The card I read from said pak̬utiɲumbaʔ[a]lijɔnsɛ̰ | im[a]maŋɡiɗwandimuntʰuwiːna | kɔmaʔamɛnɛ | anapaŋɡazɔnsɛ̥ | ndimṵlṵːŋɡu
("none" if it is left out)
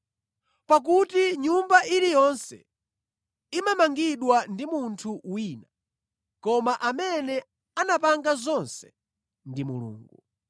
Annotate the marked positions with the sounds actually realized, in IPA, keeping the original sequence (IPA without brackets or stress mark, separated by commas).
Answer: i, a